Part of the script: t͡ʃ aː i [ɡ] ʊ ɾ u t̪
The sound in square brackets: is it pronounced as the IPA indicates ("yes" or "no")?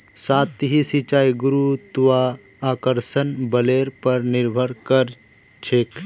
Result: yes